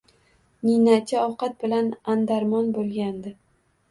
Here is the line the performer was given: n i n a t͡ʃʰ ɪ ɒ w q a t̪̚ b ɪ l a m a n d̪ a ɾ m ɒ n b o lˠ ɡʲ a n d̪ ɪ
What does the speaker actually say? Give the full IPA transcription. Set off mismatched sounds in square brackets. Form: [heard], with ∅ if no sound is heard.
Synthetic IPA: n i n a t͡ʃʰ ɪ ɒ w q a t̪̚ b ɪ l a [n] a n d̪ a ɾ m ɒ n b o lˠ ɡʲ a n d̪ ɪ